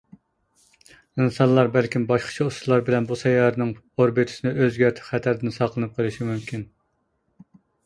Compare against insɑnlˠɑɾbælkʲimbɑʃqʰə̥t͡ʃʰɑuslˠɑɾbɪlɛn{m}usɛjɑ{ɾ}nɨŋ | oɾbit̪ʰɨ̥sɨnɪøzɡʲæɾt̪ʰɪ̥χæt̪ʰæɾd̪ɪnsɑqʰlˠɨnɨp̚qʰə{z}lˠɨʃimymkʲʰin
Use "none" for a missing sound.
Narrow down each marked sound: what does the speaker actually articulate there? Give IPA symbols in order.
b, ɾ, none

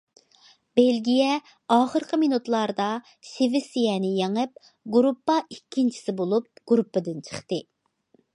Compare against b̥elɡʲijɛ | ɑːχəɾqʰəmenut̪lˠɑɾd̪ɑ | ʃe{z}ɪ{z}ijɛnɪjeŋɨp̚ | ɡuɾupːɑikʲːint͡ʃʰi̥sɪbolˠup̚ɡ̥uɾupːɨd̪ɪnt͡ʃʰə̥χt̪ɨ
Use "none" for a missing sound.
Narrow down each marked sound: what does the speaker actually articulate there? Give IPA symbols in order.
v, s

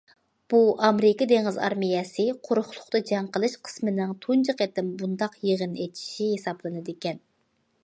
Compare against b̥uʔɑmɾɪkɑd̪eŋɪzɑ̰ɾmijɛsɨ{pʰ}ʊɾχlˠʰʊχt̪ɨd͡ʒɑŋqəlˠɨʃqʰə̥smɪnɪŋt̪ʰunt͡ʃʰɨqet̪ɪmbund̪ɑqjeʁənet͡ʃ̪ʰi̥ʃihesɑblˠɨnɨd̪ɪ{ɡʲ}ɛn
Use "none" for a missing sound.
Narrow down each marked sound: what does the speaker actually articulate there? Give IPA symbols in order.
qʰ, kʲ

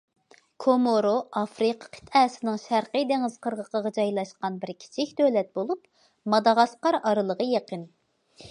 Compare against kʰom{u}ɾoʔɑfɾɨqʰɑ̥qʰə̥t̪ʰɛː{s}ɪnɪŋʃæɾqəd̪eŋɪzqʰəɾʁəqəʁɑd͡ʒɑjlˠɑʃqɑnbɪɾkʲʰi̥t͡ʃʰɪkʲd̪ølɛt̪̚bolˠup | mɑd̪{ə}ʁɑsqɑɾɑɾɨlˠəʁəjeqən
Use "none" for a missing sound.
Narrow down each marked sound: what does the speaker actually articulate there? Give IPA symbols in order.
o, s, ɑ

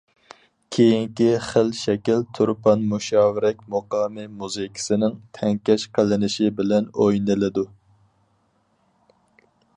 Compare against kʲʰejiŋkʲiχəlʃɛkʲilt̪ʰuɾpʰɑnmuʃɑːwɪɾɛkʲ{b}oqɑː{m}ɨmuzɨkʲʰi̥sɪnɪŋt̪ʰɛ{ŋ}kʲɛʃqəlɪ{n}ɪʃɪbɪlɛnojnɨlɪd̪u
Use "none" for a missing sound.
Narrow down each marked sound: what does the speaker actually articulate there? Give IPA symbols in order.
m, m, ŋ, n

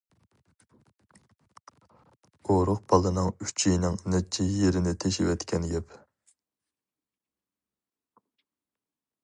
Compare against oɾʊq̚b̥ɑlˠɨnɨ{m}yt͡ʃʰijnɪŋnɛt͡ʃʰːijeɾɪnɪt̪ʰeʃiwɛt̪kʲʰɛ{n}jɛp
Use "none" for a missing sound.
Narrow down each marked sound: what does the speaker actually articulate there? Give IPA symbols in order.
ŋ, n

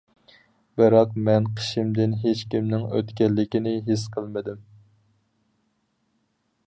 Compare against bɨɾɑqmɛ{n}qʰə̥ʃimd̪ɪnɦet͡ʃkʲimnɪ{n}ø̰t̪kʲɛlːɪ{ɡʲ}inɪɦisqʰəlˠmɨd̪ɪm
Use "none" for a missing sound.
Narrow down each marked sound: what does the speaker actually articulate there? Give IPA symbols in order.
n, ŋ, kʲ

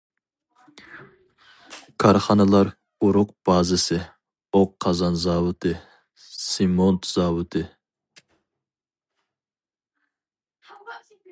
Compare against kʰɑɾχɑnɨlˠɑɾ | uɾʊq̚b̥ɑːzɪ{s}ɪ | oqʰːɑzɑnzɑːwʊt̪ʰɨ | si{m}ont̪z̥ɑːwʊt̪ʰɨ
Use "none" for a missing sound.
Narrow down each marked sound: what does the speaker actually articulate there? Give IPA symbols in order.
s, m

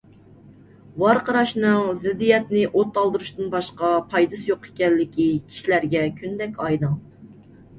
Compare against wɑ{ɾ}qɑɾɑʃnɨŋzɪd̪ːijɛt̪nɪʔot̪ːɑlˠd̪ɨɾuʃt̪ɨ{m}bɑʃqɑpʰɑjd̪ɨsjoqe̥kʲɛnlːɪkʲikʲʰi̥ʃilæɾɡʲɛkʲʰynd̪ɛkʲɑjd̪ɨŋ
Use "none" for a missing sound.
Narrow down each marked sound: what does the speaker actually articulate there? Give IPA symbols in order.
ɾ, n

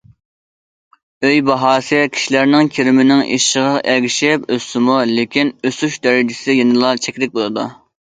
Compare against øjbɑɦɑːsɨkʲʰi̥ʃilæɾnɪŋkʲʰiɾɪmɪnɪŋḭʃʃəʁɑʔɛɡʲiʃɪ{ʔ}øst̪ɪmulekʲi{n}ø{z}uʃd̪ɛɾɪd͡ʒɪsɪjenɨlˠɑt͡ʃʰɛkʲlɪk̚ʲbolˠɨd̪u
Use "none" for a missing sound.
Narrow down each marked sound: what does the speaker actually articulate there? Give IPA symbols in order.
p, n, s

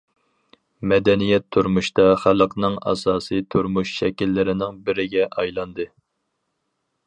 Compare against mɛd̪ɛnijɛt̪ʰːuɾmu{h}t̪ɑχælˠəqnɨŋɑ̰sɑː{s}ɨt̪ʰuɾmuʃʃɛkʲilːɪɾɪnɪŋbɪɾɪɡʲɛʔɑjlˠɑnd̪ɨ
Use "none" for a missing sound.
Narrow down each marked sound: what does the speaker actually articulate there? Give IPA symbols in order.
ʃ, s

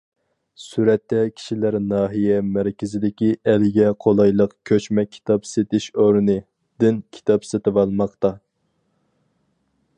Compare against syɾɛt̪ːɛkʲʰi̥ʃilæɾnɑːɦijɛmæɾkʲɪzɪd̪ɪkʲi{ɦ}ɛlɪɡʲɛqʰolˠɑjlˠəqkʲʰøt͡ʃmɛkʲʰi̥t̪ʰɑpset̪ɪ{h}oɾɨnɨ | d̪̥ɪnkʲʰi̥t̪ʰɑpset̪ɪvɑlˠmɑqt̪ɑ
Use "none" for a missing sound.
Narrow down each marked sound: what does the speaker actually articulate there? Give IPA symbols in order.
none, ʃ

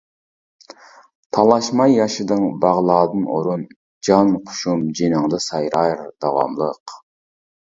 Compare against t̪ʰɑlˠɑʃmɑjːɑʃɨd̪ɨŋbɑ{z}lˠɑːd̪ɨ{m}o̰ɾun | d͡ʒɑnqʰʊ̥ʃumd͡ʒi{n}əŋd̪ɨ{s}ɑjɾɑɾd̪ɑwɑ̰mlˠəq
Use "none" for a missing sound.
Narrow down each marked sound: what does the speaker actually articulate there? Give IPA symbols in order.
ʁ, n, n, s

